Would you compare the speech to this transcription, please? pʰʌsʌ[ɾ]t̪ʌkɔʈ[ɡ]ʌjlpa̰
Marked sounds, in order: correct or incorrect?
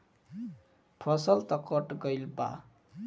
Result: incorrect, correct

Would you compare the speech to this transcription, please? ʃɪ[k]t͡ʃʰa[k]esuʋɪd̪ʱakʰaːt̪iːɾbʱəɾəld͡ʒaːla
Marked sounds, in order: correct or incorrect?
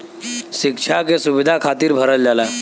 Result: correct, correct

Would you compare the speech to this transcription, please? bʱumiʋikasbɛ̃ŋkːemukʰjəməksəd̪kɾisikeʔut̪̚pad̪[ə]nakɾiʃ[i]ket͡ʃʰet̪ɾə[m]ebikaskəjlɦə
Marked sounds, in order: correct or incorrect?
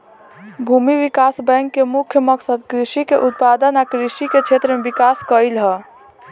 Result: correct, correct, correct

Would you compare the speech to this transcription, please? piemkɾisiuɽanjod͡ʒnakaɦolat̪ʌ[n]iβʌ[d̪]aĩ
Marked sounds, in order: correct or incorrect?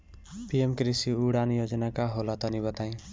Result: correct, incorrect

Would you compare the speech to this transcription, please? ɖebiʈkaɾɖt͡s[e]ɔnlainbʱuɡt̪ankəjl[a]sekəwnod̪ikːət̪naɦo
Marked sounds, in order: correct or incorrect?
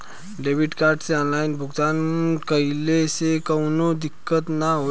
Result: correct, incorrect

